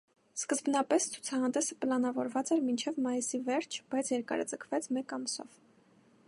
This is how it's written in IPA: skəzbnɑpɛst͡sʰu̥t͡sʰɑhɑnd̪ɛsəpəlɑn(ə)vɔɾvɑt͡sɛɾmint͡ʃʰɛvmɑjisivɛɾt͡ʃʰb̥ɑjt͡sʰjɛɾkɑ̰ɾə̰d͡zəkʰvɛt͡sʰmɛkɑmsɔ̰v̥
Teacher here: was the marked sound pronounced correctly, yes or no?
no